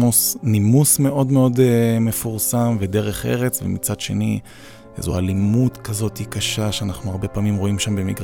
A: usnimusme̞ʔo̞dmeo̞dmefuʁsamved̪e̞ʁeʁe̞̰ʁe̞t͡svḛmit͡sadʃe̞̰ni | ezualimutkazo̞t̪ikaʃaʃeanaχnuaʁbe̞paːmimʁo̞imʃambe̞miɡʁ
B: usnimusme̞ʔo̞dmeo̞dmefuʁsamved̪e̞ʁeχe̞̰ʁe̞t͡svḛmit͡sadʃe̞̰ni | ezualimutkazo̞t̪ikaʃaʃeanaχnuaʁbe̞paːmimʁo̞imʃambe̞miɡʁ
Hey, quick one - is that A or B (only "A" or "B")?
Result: B